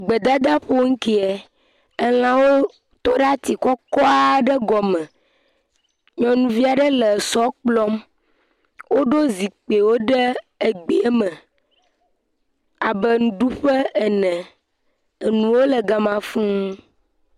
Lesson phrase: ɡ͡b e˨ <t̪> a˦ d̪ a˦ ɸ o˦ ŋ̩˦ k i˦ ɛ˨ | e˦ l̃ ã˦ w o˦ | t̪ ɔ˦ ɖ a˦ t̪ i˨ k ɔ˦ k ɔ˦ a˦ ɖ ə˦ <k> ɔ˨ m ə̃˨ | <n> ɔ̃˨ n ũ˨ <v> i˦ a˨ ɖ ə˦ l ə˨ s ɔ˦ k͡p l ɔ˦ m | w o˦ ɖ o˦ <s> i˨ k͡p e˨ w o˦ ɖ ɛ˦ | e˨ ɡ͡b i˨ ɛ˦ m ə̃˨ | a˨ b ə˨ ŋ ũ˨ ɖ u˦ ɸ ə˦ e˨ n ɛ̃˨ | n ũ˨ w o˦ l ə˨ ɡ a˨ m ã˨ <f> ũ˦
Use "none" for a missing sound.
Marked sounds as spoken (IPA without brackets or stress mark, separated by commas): d̪, ɡ, ɲ, v, z, f